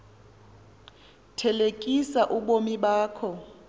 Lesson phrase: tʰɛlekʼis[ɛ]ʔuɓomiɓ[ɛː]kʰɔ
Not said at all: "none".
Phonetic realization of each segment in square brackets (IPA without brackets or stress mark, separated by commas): a, aː